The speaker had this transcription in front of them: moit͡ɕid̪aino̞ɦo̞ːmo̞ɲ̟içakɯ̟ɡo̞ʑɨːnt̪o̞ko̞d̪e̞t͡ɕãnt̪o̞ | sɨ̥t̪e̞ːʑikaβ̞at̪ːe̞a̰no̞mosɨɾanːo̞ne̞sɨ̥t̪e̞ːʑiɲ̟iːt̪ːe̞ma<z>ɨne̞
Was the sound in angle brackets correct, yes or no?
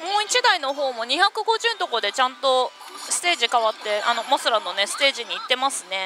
no